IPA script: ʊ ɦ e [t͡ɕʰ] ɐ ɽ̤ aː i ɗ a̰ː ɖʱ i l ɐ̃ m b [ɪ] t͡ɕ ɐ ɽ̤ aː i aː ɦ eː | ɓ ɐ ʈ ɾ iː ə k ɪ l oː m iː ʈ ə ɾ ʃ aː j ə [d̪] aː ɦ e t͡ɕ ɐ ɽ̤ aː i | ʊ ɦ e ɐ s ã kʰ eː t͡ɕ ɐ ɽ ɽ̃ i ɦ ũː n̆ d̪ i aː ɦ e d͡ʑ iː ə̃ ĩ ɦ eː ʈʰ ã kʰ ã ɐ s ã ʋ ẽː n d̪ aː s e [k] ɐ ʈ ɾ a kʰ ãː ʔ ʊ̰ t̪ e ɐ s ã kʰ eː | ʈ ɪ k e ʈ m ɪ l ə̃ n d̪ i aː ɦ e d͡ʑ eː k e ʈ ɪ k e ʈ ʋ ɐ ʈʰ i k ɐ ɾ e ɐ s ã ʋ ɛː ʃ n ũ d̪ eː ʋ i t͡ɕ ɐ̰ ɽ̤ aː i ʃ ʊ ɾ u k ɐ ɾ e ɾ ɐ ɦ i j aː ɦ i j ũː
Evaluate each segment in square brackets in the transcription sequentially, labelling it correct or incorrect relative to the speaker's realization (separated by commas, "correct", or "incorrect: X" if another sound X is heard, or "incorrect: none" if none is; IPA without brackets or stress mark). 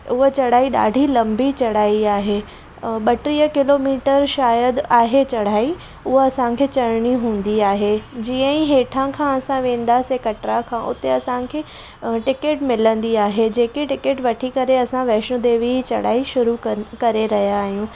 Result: incorrect: t͡ɕ, incorrect: i, correct, correct